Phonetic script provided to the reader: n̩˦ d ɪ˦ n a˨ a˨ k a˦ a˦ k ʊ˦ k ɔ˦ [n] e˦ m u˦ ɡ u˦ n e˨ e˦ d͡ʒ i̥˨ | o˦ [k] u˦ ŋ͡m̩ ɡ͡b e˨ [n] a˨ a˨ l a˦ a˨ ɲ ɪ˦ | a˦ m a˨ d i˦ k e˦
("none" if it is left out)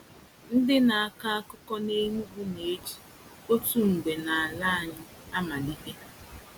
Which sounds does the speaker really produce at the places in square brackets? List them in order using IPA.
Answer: n, t, n

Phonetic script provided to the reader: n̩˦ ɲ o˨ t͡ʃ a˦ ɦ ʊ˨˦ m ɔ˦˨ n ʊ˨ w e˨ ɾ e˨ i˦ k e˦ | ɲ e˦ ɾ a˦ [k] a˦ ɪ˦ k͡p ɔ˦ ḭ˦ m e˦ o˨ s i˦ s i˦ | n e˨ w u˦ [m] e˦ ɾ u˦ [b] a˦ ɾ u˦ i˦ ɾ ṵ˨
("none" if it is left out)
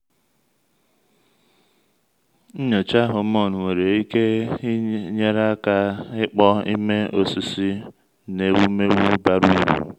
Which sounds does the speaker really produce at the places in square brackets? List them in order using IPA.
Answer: k, m, b

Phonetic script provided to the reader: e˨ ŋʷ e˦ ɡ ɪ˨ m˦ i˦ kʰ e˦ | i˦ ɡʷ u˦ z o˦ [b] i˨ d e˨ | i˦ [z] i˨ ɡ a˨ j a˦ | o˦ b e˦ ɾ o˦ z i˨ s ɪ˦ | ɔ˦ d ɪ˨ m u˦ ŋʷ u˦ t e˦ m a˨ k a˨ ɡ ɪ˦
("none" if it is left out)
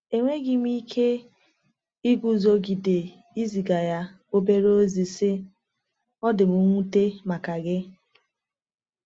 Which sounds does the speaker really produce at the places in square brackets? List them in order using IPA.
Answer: ɡ, z

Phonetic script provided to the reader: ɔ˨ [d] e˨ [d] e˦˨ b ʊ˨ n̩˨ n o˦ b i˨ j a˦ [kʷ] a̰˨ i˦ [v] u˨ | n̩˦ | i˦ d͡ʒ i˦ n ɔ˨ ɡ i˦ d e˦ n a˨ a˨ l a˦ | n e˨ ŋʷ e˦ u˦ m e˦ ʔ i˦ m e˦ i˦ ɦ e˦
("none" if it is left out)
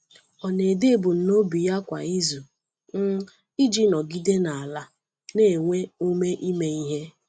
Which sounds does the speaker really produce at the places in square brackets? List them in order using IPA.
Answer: n, d, kʷ, z

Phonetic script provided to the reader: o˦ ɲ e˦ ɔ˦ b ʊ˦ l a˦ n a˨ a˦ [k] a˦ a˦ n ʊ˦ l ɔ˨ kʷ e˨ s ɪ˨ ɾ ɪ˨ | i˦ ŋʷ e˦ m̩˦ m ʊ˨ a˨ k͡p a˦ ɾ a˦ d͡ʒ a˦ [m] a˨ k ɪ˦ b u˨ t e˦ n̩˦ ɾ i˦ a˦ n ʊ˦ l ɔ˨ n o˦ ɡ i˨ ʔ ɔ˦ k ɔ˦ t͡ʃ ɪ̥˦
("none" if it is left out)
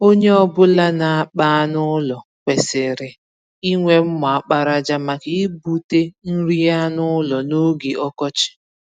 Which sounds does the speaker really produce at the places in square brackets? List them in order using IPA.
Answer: k͡p, m

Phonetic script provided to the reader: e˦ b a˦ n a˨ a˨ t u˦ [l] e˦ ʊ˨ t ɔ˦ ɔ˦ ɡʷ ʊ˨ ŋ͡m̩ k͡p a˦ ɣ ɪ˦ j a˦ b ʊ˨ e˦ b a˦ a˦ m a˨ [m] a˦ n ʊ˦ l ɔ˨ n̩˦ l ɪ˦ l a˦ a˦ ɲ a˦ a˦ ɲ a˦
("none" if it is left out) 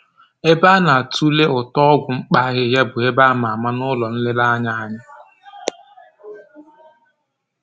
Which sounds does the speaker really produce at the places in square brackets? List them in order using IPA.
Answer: l, m

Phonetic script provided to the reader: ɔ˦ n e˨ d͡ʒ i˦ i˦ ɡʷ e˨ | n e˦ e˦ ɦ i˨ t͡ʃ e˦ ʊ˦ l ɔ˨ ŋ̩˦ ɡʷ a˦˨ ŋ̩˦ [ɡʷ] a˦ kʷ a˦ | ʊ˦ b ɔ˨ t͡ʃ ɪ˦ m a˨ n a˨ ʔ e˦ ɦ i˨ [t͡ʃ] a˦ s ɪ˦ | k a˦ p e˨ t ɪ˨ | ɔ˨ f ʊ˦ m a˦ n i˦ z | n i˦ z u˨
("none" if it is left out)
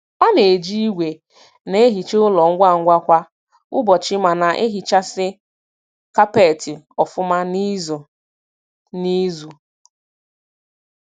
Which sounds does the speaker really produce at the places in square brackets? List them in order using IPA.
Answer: ɡʷ, t͡ʃ

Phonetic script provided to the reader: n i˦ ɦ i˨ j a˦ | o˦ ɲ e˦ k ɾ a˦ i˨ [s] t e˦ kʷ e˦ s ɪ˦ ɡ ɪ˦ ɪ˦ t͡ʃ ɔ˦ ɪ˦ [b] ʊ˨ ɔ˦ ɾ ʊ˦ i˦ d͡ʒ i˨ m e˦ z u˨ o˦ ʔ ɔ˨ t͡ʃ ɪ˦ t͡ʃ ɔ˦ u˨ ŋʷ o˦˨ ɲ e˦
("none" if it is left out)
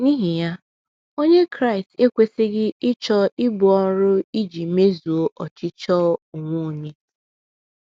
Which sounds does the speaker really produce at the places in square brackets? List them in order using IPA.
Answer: s, b

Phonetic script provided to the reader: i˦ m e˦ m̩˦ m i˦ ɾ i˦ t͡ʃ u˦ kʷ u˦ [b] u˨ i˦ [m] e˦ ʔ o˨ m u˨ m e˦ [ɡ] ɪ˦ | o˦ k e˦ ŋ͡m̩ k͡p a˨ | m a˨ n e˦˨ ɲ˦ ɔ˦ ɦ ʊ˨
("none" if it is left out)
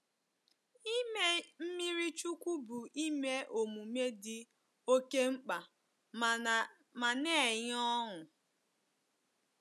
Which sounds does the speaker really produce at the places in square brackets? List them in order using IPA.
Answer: b, m, d

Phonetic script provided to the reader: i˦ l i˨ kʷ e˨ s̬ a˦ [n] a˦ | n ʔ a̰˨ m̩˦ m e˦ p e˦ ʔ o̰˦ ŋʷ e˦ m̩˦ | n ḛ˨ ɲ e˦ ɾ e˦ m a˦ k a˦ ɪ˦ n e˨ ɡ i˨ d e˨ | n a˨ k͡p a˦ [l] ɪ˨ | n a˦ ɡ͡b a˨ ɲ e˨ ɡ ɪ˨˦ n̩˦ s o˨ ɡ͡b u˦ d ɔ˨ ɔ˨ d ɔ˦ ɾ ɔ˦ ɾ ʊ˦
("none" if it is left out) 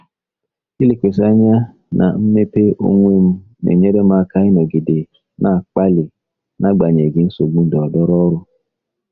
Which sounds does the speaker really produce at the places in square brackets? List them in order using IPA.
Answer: ɲ, l

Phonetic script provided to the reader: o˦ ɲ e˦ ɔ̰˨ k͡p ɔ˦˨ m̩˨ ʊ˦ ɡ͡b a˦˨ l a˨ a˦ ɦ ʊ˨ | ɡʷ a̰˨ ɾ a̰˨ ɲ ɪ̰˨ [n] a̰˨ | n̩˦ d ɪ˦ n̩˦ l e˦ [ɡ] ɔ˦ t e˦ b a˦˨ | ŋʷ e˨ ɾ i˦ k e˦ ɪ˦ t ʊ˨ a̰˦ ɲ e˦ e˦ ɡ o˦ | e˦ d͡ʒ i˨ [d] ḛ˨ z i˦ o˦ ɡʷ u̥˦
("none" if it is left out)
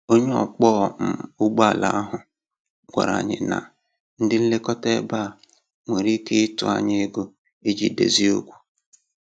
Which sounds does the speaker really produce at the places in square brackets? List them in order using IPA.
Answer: n, k, d

